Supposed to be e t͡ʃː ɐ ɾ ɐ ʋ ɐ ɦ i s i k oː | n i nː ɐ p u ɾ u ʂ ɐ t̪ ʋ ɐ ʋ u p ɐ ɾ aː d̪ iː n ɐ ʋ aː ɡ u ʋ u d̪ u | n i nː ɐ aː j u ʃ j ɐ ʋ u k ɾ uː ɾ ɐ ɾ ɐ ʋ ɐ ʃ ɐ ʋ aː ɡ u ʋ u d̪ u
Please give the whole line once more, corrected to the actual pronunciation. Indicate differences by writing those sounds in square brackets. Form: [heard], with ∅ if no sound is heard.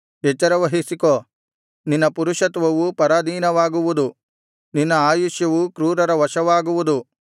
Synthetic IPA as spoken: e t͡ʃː ɐ ɾ ɐ ʋ ɐ ɦ i s i k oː | n i nː ɐ p u ɾ u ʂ ɐ t̪ ʋ ɐ ʋ u p ɐ ɾ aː d̪ iː n ɐ ʋ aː ɡ u ʋ u d̪ u | n i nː ɐ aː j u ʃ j ɐ ʋ u k ɾ uː ɾ ɐ ɾ ɐ ʋ ɐ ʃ ɐ ʋ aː ɡ u ʋ u d̪ u